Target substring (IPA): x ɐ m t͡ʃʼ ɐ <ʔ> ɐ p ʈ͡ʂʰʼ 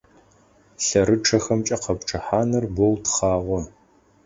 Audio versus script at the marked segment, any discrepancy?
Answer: yes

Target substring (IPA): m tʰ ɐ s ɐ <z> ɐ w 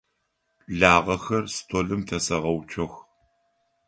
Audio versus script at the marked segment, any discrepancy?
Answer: yes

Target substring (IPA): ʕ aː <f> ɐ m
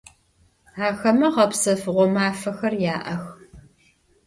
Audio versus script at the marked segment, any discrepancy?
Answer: yes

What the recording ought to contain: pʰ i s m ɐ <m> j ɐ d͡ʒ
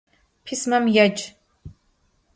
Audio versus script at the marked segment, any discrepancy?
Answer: no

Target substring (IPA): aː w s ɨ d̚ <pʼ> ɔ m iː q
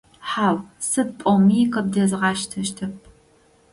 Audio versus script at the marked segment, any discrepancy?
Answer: no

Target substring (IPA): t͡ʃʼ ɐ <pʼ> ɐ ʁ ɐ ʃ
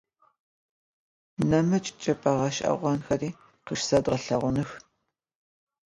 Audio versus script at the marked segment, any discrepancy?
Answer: no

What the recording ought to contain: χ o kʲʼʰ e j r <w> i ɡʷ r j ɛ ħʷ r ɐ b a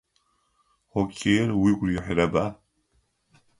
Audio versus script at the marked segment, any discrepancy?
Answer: no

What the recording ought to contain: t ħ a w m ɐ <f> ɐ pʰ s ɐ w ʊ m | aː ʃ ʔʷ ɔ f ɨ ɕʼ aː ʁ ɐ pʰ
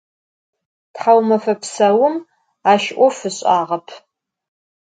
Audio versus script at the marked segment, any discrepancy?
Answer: no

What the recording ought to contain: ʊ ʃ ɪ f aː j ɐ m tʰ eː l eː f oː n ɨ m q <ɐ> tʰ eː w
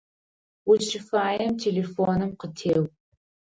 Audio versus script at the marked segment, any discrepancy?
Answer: yes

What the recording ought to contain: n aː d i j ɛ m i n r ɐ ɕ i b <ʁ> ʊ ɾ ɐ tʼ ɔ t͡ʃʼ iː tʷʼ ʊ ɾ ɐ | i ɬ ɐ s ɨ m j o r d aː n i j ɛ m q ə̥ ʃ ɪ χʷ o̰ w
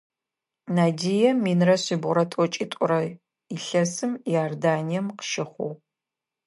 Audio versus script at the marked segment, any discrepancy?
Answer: no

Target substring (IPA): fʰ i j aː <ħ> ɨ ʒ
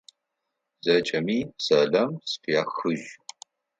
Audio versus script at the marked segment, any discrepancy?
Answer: yes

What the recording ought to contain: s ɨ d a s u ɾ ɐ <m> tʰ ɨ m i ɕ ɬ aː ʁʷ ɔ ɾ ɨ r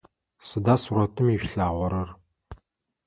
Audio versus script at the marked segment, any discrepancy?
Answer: yes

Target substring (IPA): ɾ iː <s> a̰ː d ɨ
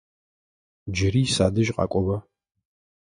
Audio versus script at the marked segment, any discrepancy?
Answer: no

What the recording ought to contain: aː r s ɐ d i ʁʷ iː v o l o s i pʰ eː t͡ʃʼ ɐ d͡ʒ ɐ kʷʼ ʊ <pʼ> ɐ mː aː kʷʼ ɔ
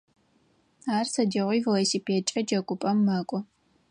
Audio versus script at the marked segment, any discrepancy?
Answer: no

